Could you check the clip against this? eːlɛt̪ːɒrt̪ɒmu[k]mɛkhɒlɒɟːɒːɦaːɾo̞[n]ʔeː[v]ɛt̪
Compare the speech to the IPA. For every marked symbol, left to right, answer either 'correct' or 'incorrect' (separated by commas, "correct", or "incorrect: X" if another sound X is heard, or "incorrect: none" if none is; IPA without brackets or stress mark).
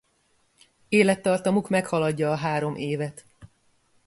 correct, incorrect: m, correct